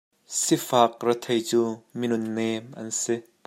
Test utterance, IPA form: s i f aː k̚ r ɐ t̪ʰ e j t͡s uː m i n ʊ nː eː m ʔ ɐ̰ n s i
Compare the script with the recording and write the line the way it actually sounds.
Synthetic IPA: s i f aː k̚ r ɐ t̪ʰ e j t͡s uː m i n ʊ nː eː m ʔ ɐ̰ n s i

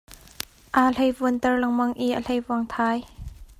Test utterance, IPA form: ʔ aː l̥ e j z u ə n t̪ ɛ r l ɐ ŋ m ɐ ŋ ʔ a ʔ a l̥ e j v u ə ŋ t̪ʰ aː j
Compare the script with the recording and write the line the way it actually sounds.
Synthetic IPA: ʔ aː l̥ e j v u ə n t̪ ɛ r l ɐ ŋ m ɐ ŋ ʔ i ʔ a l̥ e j v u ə ŋ t̪ʰ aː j

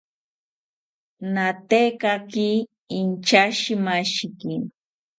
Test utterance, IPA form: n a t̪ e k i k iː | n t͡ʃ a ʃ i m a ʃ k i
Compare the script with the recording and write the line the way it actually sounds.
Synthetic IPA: n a t̪ e k a k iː | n t͡ʃ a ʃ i m a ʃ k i

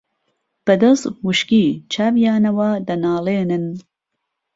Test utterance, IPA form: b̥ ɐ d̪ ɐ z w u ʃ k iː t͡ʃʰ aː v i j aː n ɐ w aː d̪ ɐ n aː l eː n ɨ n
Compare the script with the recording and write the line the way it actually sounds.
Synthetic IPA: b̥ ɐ d̪ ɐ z w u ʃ k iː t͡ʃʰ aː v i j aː n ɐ w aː d̪ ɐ n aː l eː n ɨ n

